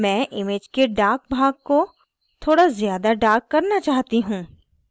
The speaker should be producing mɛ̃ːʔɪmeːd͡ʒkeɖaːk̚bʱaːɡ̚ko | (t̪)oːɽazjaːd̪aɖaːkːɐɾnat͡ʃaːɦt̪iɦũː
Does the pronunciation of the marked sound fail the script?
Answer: yes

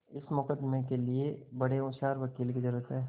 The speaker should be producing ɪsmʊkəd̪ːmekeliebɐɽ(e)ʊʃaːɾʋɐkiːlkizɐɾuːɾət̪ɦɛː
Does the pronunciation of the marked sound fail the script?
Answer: no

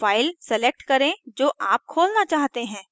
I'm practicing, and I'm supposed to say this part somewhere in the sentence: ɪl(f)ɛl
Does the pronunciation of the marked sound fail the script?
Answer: yes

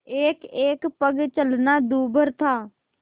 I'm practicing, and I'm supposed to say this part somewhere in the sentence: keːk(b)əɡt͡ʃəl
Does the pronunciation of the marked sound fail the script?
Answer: yes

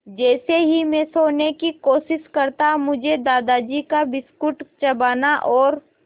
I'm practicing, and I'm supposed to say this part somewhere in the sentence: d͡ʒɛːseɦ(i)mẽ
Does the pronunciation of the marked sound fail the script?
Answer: no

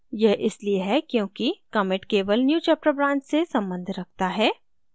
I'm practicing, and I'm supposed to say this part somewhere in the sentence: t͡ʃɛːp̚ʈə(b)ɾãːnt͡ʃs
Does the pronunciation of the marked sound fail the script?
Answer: no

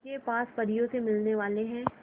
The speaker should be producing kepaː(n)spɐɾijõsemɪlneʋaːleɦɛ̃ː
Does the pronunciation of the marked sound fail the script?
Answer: yes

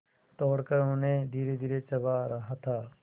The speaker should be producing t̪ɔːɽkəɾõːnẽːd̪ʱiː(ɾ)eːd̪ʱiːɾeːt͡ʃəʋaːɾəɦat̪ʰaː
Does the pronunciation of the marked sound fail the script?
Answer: no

